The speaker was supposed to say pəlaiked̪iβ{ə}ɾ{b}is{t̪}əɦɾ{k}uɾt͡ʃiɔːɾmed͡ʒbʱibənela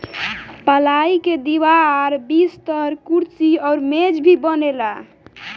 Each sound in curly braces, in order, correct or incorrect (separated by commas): incorrect, correct, correct, correct